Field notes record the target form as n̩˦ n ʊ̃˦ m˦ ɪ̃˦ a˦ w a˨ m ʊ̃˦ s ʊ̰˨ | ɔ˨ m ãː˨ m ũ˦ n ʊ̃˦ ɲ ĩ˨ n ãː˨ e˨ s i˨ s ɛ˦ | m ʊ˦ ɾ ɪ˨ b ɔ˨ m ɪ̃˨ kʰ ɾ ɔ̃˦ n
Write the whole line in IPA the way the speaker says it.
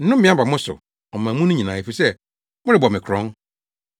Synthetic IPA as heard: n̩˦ n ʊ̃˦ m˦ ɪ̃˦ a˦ b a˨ m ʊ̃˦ s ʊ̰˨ | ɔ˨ m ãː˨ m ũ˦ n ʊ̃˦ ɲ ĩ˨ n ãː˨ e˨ f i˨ s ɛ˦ | m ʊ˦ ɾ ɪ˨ b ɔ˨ m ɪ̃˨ kʰ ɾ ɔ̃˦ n